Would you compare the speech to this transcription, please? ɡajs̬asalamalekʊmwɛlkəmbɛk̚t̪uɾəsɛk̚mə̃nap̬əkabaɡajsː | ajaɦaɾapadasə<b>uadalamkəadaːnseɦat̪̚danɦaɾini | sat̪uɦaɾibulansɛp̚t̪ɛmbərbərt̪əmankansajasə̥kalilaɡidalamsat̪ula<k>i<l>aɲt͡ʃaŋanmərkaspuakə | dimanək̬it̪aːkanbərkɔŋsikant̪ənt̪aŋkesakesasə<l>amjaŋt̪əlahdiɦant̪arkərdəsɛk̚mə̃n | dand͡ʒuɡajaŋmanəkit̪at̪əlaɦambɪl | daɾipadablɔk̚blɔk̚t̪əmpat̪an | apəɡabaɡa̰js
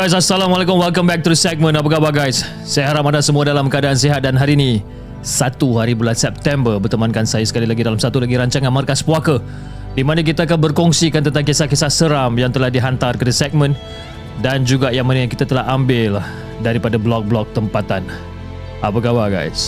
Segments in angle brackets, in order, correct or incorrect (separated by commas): incorrect, incorrect, incorrect, incorrect